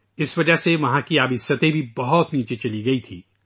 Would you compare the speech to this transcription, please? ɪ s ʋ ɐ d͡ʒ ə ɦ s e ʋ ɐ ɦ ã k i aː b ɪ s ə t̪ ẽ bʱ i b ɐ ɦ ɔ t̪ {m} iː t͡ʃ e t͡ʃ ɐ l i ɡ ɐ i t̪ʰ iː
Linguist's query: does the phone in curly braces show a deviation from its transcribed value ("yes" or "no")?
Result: yes